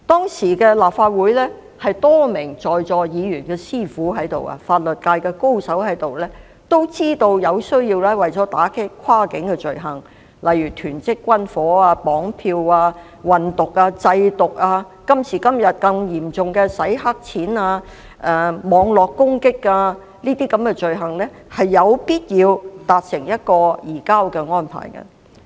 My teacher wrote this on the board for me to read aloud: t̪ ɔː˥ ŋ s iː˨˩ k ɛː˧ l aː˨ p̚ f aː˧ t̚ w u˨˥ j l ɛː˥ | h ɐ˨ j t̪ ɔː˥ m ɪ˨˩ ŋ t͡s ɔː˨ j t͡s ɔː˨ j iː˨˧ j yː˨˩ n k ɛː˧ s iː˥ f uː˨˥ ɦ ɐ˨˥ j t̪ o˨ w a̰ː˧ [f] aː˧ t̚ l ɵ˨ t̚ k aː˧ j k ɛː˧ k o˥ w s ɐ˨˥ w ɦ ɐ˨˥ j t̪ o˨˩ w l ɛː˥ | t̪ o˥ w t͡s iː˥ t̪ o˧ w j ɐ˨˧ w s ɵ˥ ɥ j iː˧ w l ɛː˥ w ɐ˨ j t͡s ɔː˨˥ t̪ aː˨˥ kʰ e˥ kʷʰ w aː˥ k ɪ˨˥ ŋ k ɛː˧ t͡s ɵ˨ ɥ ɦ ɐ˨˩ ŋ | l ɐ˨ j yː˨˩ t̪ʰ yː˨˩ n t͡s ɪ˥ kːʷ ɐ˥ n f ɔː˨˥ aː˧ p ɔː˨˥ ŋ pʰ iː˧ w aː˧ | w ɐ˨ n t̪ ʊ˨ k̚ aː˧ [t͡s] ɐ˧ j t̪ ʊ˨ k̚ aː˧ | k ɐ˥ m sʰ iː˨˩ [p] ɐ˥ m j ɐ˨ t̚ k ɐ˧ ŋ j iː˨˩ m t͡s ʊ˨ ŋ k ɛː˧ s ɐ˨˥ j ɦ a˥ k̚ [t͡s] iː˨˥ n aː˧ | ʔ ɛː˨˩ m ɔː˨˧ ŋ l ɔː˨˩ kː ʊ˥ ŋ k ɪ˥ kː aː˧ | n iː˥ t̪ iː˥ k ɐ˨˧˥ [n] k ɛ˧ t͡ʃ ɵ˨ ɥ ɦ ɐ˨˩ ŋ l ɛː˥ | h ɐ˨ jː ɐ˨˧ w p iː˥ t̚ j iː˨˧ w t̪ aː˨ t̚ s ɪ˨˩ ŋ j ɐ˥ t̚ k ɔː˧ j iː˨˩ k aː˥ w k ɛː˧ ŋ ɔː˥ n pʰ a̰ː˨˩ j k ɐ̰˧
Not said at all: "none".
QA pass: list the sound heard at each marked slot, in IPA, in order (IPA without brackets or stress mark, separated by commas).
f, t͡s, k, t͡sʰ, m